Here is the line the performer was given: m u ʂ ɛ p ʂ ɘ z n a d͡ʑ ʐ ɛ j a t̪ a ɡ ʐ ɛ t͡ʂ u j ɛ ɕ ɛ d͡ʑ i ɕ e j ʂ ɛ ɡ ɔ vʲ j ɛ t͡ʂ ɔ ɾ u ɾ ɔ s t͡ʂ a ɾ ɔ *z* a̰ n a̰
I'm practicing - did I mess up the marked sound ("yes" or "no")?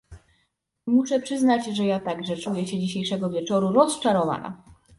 yes